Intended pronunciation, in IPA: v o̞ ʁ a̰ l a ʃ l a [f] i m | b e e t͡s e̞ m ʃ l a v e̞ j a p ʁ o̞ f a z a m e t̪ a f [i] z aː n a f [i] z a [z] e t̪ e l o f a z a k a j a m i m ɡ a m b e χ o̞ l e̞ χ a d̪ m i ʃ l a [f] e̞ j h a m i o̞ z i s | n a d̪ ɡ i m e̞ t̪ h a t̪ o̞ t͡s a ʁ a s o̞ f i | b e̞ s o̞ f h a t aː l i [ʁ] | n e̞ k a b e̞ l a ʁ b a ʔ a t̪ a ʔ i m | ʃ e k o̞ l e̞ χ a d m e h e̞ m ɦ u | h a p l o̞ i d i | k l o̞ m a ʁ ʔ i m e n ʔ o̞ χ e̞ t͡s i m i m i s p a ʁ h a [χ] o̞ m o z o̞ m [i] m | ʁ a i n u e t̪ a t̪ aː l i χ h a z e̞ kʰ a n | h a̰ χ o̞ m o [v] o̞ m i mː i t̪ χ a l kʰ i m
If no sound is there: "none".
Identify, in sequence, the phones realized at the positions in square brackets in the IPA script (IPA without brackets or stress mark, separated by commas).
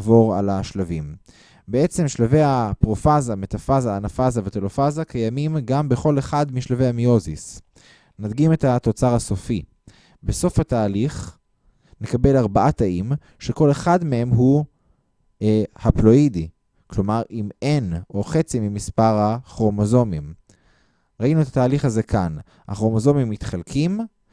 v, a, a, v, v, χ, χ, i, z